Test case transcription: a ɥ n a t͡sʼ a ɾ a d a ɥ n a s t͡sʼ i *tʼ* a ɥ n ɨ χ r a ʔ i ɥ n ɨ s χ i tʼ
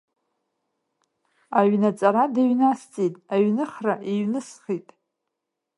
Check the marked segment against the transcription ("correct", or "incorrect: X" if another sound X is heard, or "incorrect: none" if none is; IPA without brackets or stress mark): correct